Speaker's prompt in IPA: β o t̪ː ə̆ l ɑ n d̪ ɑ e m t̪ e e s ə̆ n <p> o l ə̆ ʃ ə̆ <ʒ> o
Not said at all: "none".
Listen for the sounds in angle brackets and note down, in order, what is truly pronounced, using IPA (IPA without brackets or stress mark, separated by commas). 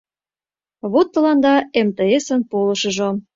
p, ʒ